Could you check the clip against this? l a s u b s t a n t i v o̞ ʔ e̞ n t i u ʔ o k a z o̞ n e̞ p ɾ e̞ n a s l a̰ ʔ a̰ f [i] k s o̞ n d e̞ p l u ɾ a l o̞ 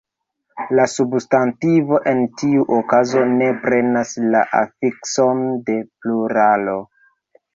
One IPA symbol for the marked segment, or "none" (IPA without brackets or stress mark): i